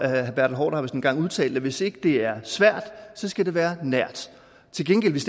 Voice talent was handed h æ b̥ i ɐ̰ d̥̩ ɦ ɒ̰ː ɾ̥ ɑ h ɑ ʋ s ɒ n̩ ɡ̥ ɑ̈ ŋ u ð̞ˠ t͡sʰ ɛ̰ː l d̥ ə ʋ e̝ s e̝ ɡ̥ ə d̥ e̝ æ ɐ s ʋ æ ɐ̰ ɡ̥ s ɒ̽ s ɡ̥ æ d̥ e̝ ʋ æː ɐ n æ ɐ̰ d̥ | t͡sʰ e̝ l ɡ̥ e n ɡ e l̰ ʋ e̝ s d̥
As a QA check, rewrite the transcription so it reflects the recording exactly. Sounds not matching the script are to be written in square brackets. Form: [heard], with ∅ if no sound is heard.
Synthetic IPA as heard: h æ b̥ [æ] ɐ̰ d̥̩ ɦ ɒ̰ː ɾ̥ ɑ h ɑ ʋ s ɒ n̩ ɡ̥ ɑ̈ ŋ u ð̞ˠ t͡sʰ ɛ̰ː l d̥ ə ʋ e̝ s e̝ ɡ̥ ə d̥ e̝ æ ɐ s ʋ æ ɐ̰ [d̥] s ɒ̽ s ɡ̥ æ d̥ e̝ ʋ æː ɐ n æ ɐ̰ d̥ | t͡sʰ e̝ l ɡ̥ e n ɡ e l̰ ʋ e̝ s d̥

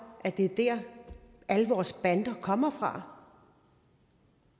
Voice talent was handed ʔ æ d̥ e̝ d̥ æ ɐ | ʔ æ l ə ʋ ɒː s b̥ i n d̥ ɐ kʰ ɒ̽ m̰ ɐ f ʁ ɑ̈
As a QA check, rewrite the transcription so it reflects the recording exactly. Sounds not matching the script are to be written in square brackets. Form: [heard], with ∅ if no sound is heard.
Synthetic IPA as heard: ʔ æ d̥ e̝ d̥ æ ɐ | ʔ æ l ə ʋ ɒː s b̥ [æ] n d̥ ɐ kʰ ɒ̽ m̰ ɐ f ʁ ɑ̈

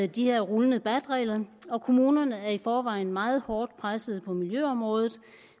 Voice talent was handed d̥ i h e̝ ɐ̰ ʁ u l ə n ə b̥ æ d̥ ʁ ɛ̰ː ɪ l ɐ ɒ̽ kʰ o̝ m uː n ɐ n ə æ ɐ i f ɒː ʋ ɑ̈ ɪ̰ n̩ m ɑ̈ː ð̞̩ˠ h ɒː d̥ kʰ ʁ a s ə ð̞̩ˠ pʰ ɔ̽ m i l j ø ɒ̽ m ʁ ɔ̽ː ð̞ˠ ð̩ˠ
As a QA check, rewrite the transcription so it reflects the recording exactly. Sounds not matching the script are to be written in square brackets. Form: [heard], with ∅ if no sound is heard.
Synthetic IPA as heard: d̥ i h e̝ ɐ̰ ʁ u l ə n ə b̥ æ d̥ ʁ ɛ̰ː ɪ l ɐ ɒ̽ kʰ o̝ m uː n ɐ n ə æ ɐ i f ɒː ʋ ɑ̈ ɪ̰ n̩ m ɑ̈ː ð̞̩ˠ h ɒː d̥ [pʰ] ʁ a s ə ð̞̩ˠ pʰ [ɒ̽] m i l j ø ɒ̽ m ʁ ɔ̽ː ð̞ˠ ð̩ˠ

